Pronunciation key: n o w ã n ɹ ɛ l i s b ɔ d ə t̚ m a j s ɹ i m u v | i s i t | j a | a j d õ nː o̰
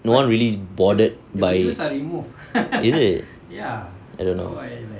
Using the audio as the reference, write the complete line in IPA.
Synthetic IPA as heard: n o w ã n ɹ i l i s b ɔ d ə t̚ b a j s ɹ i m u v | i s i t | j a | a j d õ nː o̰